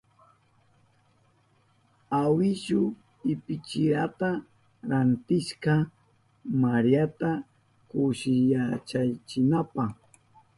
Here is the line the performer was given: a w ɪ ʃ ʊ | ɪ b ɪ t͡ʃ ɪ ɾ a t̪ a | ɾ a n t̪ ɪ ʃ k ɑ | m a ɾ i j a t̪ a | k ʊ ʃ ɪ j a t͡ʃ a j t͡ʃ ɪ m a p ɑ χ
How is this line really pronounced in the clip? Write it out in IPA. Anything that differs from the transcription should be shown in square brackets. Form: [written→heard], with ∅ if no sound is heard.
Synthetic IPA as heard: a w ɪ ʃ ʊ | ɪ [b→p] ɪ t͡ʃ ɪ ɾ a t̪ a | ɾ a n t̪ ɪ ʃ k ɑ | m a ɾ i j a t̪ a | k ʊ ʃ ɪ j a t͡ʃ a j t͡ʃ ɪ [m→n] a p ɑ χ

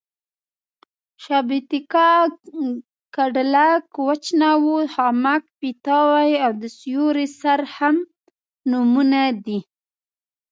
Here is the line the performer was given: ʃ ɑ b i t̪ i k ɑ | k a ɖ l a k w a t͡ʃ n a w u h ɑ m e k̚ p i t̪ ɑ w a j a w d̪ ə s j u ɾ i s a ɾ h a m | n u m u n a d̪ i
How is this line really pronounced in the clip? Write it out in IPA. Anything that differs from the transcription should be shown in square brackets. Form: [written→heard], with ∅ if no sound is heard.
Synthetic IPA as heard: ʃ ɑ b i t̪ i k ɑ | k a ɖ l a k w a t͡ʃ n a w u h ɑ m [e→a] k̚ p i t̪ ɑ w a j a w d̪ ə s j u ɾ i s a ɾ h a m | n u m u n a d̪ i

